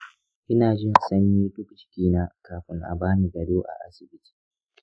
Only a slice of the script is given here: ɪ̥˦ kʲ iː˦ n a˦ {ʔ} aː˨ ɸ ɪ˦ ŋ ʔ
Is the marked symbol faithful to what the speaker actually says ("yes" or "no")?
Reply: no